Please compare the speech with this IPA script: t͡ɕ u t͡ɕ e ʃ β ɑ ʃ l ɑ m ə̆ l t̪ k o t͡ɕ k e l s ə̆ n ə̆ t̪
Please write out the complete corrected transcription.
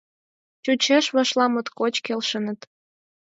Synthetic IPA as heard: t͡ɕ u t͡ɕ e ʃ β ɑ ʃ l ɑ m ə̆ t̪ k o t͡ɕ k e l ʃ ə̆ n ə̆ t̪